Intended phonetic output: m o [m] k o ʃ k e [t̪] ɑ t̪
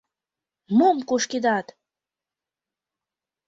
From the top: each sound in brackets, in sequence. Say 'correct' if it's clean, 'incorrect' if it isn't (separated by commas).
correct, incorrect